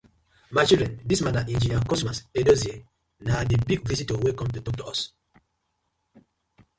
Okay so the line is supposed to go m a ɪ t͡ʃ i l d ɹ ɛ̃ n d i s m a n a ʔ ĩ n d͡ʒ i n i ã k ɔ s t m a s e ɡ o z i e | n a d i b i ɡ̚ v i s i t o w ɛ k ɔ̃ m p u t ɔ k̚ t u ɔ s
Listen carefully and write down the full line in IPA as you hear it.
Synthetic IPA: m a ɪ t͡ʃ i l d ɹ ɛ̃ n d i s m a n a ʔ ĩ n d͡ʒ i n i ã k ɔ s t m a s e d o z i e | n a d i b i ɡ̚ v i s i t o w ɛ k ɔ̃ m t u t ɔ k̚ t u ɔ s